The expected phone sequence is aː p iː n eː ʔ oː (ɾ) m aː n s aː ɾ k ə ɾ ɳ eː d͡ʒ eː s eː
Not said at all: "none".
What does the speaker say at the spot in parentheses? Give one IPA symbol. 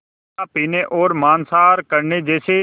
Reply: ɾ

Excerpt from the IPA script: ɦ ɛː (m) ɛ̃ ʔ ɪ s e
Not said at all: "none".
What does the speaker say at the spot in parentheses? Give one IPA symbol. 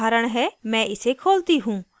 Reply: m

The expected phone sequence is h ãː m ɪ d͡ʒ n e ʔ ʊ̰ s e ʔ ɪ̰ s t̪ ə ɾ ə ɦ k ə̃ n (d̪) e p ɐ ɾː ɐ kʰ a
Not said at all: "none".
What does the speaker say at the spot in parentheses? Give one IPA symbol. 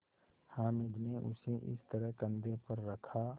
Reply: d̪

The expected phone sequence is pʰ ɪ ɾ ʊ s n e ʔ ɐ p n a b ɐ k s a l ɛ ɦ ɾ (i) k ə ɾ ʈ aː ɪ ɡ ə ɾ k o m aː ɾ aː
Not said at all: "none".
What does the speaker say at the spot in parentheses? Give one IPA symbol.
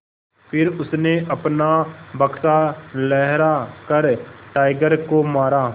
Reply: a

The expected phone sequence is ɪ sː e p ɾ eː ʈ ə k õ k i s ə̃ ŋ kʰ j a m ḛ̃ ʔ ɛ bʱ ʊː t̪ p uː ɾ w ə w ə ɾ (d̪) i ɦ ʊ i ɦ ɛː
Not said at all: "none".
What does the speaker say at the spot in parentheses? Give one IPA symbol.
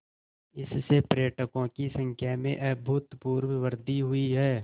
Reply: d̪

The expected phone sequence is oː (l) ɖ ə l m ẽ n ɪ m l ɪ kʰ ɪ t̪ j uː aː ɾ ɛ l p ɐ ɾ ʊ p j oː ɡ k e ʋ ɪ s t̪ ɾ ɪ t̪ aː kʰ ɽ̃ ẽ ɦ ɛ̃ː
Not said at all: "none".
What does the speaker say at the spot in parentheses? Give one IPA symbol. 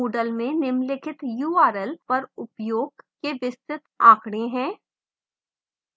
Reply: none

